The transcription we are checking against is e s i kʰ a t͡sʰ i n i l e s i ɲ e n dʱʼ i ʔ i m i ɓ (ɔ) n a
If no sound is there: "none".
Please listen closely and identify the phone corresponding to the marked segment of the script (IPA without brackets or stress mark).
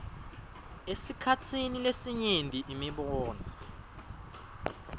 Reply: ɔː